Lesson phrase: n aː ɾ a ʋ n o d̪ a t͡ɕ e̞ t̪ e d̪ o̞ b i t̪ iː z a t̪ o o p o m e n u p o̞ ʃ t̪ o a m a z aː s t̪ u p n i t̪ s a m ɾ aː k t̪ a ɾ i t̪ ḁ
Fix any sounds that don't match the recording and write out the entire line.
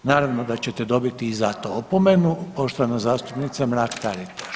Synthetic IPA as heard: n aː ɾ a ʋ n o d̪ a t͡ɕ e̞ t̪ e d̪ o̞ b i t̪ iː z a t̪ o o p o m e n u p o̞ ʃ t̪ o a n a z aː s t̪ u p n i t̪ s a m ɾ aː k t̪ a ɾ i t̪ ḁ